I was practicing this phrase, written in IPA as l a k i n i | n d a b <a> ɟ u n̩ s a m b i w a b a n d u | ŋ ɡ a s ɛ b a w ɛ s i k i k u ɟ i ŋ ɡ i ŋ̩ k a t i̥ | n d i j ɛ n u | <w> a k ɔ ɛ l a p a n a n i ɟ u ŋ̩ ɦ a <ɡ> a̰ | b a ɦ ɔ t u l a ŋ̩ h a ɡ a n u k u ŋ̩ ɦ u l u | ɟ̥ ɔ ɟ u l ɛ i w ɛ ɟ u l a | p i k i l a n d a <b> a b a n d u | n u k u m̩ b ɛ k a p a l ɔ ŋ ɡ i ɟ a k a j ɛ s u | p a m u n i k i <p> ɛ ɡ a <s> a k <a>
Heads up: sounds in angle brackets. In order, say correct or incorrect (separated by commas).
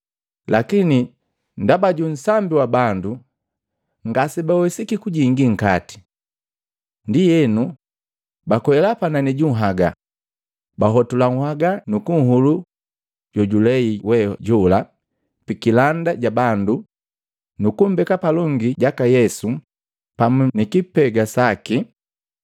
correct, incorrect, correct, incorrect, correct, correct, incorrect